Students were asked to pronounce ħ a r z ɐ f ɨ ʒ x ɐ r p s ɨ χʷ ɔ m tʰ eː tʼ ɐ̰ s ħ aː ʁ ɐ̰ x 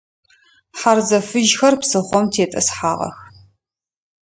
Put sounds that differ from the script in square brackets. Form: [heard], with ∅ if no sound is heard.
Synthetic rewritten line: ħ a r z ɐ f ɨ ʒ x ɐ r p s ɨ χʷ ɔ m tʰ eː tʼ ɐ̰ s ħ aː ʁ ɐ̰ x